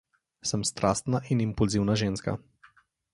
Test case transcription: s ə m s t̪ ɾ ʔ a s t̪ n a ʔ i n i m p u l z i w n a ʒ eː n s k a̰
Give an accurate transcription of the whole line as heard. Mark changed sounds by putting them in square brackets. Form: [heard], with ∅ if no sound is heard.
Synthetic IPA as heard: s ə m s t̪ ɾ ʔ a s t̪ n a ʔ i n i m p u l z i w n a ʒ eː n s k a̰